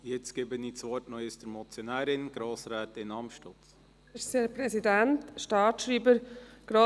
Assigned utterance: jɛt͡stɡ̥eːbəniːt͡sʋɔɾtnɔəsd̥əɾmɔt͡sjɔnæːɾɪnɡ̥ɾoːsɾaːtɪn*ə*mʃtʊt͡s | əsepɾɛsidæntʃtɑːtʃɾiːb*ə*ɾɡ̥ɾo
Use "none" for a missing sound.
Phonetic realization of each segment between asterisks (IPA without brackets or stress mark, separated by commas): ɑ, ə